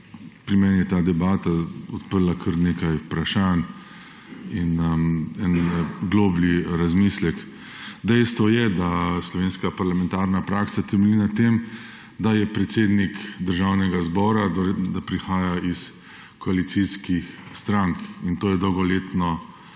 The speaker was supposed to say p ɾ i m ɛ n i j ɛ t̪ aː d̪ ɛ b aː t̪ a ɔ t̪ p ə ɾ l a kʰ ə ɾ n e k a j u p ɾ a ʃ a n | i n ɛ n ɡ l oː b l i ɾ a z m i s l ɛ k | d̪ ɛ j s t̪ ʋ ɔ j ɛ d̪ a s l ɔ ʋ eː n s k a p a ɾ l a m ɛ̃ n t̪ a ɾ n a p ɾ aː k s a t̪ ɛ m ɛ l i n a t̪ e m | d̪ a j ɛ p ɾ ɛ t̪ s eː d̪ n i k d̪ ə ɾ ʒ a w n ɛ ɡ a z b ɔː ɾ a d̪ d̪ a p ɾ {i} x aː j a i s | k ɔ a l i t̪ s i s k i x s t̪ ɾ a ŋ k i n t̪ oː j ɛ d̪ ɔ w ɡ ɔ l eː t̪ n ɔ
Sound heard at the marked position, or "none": i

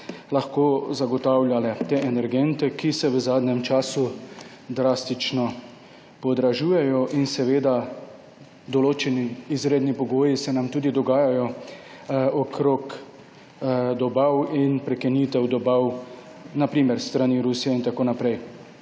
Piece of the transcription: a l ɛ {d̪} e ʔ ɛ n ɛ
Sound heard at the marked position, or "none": t̪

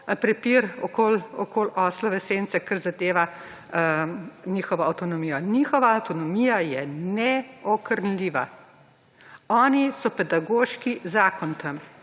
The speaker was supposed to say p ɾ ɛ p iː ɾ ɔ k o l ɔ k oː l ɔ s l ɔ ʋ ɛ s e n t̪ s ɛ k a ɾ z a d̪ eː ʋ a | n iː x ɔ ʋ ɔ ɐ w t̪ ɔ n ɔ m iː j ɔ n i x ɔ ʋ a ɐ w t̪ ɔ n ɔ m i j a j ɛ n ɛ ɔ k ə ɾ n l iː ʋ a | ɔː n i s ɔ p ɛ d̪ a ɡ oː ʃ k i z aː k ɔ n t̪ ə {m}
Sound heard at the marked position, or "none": m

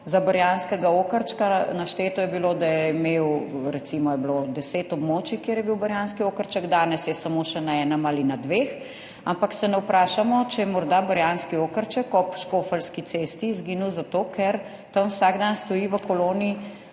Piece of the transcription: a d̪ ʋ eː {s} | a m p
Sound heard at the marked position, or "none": x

